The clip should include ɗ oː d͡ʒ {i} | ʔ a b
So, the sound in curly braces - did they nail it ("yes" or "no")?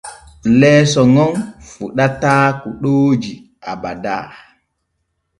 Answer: yes